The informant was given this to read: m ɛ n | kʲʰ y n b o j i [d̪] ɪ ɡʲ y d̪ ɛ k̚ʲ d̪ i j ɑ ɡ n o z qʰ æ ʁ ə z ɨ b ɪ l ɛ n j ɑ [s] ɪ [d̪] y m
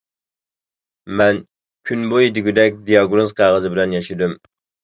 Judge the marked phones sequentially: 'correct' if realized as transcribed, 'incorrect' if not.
correct, incorrect: ʃ, correct

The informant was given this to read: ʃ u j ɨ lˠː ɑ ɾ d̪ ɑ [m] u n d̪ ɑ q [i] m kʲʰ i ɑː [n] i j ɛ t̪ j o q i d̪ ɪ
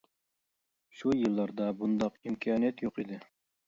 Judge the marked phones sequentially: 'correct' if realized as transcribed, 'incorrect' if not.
incorrect: b, correct, correct

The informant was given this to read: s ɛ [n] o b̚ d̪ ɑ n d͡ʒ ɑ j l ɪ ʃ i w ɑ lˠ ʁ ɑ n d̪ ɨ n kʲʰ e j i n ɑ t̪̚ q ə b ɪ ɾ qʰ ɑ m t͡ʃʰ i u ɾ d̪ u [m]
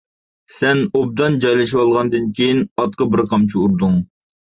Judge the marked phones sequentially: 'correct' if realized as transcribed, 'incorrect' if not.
correct, incorrect: ŋ

